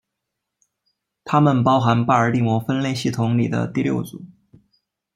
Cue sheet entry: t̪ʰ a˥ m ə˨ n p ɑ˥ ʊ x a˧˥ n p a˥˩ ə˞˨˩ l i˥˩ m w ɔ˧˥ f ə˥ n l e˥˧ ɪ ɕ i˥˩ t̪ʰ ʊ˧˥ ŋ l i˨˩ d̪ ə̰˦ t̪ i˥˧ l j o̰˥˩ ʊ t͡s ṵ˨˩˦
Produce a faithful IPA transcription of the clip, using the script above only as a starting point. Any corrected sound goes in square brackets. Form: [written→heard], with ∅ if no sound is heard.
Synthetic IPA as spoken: t̪ʰ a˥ m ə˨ n p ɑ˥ ʊ x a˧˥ n p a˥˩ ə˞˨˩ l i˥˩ m w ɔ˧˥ f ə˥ n l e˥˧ ɪ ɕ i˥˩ t̪ʰ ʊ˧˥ ŋ l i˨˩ d̪ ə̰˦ t̪ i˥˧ l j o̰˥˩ ʊ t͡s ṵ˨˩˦